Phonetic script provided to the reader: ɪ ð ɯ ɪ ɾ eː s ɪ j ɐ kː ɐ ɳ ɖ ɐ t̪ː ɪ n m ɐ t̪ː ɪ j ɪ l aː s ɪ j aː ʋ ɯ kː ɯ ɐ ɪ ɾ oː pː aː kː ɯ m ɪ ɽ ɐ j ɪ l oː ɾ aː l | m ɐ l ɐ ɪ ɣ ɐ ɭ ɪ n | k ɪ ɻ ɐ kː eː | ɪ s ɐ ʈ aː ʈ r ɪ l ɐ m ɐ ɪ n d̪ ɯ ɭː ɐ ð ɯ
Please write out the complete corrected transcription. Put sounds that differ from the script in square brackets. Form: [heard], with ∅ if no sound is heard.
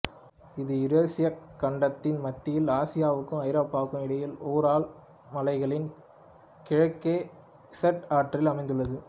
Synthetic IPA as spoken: ɪ ð ɯ ɪ ɾ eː s ɪ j ɐ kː ɐ ɳ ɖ ɐ t̪ː ɪ n m ɐ t̪ː ɪ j ɪ l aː s ɪ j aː ʋ ɯ kː ɯ ɐ ɪ ɾ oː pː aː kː ɯ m ɪ ɽ ɐ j ɪ l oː ɾ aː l | m ɐ l ɐ ɪ ɣ ɐ ɭ ɪ n | k ɪ ɻ ɐ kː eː | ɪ s ɐ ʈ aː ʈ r ɪ l ɐ m ɐ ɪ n d̪ ɯ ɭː ɐ ð ɯ